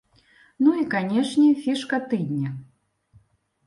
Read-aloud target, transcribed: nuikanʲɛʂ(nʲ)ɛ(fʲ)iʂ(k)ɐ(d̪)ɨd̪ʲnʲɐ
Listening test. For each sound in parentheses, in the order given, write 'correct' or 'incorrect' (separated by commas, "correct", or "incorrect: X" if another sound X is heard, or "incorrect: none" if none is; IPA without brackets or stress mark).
correct, correct, correct, incorrect: t̪